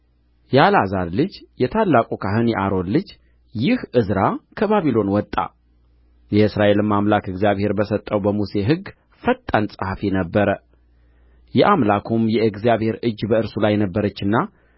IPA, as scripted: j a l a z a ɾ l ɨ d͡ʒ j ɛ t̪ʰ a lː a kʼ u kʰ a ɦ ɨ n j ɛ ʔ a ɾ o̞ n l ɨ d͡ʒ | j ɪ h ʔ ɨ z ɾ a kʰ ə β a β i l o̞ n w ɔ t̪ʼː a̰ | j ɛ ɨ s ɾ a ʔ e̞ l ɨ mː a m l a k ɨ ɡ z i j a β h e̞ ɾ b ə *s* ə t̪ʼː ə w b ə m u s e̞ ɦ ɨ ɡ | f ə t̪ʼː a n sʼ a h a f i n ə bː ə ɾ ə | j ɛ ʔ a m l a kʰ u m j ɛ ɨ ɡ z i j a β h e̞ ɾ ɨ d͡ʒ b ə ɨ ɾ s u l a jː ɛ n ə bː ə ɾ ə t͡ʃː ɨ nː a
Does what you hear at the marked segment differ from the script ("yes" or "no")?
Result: no